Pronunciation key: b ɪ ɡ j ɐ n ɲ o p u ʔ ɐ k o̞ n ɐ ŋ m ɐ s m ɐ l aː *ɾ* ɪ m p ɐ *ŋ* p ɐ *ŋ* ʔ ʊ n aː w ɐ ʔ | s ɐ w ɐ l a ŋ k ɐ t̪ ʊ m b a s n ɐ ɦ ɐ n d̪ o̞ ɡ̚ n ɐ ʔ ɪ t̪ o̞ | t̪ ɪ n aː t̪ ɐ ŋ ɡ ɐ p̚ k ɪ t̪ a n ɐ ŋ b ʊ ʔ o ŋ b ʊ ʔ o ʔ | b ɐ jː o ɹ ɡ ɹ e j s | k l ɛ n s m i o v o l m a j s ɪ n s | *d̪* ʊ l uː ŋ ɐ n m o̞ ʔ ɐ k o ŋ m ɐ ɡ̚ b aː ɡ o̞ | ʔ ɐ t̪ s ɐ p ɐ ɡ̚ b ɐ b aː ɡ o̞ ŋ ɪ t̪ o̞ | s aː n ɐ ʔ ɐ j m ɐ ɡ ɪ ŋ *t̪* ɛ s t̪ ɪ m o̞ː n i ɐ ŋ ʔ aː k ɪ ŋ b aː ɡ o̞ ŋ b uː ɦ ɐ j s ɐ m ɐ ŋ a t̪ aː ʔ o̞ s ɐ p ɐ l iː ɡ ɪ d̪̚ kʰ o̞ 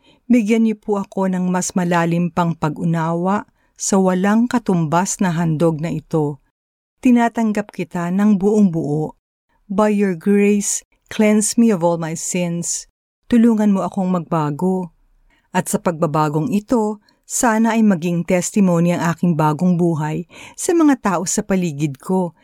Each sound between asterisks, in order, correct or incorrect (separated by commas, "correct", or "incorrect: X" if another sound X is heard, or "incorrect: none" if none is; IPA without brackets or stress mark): incorrect: l, correct, incorrect: ɡ, incorrect: t̪, correct